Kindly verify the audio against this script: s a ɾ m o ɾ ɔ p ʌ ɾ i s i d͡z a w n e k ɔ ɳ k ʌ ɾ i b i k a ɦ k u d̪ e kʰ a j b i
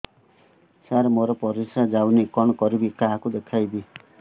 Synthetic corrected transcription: s a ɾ m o ɾ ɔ p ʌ ɾ i s a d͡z a w n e k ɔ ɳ k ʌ ɾ i b i k a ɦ k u d̪ e kʰ a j b i